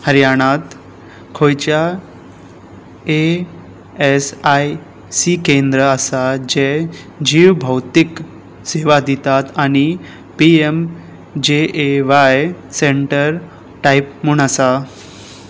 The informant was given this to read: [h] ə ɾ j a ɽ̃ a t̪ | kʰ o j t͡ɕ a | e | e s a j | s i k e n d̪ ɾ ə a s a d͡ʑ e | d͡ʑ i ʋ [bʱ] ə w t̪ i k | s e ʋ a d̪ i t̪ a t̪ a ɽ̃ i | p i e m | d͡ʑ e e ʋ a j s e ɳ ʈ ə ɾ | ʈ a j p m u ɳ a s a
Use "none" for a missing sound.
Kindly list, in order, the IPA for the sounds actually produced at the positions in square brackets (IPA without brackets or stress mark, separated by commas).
h, bʱ